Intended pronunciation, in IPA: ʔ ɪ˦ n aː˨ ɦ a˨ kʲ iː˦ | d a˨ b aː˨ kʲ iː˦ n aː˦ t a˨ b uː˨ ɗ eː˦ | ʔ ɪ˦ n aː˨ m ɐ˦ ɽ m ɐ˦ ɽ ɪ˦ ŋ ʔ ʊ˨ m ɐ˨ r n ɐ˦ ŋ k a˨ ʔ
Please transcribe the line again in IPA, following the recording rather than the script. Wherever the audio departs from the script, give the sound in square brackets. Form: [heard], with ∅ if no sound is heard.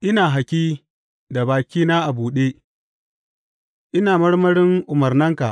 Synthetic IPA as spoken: ʔ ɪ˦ n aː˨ ɦ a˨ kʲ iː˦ | d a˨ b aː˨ kʲ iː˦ n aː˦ [ʔ] a˨ b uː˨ ɗ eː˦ | ʔ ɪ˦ n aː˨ m ɐ˦ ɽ m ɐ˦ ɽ ɪ˦ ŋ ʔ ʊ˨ m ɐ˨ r n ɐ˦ ŋ k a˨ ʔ

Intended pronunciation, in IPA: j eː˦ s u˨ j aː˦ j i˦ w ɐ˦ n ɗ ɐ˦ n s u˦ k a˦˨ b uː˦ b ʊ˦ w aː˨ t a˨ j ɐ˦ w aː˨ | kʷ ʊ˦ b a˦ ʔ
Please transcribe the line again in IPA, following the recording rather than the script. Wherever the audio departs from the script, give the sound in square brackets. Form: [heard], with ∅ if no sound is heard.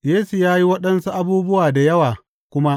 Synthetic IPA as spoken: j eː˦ s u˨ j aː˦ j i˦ w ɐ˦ [∅] ɗ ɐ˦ n s u˦ [ʔ] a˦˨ b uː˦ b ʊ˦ w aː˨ [d] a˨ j ɐ˦ w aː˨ | kʷ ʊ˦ [m] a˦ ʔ

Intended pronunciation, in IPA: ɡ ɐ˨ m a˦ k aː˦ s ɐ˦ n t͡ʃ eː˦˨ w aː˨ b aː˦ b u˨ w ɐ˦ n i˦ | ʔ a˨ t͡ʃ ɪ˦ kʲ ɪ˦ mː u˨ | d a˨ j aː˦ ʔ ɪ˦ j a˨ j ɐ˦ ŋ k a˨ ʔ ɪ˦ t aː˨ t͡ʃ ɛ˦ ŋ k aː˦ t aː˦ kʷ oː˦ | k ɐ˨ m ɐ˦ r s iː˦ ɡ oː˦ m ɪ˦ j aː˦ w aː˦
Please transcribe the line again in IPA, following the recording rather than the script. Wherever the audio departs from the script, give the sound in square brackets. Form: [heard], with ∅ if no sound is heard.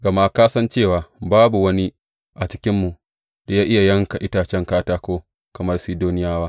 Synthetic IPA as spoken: ɡ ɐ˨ m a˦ k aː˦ s ɐ˦ n t͡ʃ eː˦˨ w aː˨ b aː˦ b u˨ w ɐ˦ n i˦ | ʔ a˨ t͡ʃ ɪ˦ kʲ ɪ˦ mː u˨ | d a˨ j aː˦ ʔ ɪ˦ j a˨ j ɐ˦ ŋ k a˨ ʔ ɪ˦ t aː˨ t͡ʃ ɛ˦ ŋ k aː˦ t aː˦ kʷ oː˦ | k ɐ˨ m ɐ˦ r s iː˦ [d] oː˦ [n] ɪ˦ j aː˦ w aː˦

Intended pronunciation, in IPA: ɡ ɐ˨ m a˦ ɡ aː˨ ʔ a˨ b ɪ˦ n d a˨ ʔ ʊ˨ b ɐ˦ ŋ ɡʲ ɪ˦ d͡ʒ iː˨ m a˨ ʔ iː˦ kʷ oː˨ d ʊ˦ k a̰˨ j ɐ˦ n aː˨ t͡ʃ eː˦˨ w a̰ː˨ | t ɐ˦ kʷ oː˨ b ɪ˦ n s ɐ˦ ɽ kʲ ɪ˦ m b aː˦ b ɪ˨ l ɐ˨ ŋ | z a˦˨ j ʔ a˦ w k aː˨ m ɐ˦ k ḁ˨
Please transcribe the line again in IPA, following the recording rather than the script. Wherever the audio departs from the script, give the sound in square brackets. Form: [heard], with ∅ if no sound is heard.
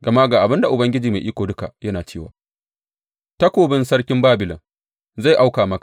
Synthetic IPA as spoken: ɡ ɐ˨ m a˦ ɡ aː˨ ʔ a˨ b ɪ˦ n d a˨ ʔ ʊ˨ b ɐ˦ ŋ ɡʲ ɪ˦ d͡ʒ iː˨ m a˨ ʔ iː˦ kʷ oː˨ d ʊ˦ k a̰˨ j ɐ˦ n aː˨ t͡ʃ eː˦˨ w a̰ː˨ | t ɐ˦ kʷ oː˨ b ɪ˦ n s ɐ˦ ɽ kʲ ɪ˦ m b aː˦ b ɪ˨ l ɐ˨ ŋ | z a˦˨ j ʔ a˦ w k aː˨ m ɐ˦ k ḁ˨

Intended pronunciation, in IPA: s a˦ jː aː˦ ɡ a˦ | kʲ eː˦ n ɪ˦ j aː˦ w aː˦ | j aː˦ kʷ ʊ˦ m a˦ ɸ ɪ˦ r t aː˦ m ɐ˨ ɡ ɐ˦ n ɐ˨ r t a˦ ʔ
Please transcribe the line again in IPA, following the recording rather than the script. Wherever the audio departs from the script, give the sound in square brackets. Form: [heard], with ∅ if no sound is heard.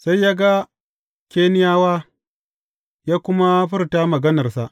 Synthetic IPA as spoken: s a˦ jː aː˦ ɡ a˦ | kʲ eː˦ n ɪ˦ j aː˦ w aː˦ | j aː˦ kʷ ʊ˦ m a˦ ɸ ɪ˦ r t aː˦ m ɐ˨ ɡ ɐ˦ n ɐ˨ r [s] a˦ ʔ

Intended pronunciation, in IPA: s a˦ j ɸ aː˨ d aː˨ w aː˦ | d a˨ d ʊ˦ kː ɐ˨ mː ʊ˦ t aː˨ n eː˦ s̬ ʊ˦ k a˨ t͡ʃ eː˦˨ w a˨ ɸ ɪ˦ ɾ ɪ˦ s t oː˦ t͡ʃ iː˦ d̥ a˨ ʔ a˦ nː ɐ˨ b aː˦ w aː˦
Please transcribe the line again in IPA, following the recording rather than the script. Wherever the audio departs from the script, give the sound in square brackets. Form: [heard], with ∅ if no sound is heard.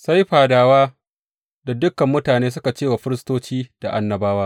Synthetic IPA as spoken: s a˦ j ɸ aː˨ d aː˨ w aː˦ | d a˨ d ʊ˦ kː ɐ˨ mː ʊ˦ t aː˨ n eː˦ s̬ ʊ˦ k a˨ t͡ʃ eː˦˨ w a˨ ɸ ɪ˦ ɾ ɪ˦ s t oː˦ t͡ʃ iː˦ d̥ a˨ ʔ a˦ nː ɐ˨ b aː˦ w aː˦

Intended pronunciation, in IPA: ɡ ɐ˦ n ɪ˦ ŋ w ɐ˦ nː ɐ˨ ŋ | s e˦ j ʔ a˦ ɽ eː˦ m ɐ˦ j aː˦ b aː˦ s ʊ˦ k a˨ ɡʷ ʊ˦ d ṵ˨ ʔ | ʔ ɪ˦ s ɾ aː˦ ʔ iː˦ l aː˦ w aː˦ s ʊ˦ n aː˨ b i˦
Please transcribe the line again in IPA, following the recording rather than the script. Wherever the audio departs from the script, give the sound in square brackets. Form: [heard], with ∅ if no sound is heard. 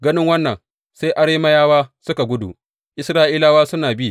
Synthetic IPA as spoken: ɡ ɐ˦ n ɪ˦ ŋ w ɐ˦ nː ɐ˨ ŋ | s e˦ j ʔ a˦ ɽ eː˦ m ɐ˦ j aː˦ [w] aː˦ s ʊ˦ k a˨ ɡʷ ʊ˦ d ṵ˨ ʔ | ʔ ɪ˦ s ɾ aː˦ ʔ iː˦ l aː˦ w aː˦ s ʊ˦ n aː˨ b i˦

